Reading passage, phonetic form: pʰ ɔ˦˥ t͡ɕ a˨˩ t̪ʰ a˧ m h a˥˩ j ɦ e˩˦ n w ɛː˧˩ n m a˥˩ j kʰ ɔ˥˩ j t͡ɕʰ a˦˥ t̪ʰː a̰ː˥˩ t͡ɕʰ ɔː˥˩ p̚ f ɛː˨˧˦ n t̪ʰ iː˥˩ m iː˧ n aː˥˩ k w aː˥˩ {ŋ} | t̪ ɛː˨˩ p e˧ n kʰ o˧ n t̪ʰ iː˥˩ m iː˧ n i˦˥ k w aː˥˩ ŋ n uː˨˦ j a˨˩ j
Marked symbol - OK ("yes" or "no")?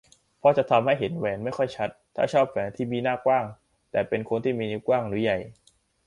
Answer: yes